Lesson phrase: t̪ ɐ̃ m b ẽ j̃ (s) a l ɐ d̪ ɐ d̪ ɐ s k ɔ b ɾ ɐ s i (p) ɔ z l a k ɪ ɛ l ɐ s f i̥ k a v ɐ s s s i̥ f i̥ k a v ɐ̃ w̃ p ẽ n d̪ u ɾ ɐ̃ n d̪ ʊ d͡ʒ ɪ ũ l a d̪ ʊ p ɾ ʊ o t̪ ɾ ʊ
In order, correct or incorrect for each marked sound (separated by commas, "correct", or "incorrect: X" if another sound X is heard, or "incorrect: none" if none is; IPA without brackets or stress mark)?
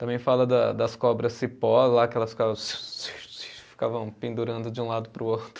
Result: incorrect: f, correct